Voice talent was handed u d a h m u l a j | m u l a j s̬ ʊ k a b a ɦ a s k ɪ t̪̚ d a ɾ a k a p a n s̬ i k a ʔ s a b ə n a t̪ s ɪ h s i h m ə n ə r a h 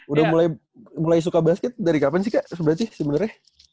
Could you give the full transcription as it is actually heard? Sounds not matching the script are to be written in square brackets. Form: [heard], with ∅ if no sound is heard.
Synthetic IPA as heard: u d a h m u l a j | m u l a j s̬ [u] k a b a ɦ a s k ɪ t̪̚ d a ɾ [i] k a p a n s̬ i k a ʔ s [ə] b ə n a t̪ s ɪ h s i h m ə n ə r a h